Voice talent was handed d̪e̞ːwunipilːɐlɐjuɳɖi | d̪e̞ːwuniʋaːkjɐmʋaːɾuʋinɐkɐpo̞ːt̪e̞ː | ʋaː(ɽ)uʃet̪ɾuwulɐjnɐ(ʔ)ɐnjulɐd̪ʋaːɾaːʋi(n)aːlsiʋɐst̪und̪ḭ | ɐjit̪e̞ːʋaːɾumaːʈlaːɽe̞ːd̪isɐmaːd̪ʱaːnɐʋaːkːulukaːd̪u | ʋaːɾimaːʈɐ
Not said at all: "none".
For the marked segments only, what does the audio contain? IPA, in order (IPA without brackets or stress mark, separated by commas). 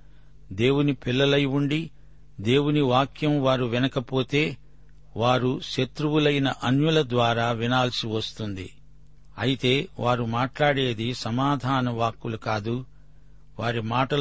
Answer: ɾ, ʔ, n